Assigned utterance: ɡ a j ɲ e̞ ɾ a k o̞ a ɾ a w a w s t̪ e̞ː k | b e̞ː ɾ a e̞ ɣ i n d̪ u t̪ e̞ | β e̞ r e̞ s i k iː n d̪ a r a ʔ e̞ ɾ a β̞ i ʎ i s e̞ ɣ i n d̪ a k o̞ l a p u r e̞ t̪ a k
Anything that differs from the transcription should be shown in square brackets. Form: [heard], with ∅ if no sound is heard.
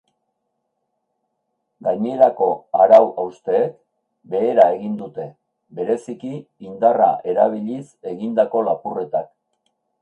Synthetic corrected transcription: ɡ a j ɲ e̞ ɾ a k o̞ a ɾ a w a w s t̪ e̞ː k | b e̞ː ɾ a e̞ ɣ i n d̪ u t̪ e̞ | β e̞ [ɾ] e̞ s i k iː n d̪ a r a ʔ e̞ ɾ a β̞ i ʎ i s e̞ ɣ i n d̪ a k o̞ l a p u r e̞ t̪ a k